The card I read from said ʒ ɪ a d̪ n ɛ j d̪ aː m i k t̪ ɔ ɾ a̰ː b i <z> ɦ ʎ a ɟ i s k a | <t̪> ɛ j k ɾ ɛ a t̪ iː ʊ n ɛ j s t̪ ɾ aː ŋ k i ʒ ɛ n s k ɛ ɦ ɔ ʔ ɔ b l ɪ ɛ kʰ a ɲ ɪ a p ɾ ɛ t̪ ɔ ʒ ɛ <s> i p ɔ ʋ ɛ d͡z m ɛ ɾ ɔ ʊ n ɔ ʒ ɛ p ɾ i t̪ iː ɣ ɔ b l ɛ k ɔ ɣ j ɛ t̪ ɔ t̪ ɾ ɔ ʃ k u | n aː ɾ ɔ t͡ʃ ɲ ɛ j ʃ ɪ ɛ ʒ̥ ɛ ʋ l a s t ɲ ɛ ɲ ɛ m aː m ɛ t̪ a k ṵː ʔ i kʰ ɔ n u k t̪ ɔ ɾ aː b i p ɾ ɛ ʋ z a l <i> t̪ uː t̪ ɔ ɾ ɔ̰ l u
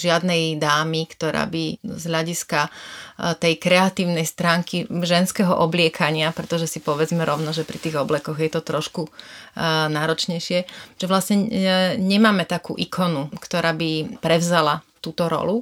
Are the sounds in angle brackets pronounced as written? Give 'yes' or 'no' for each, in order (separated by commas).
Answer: yes, yes, yes, no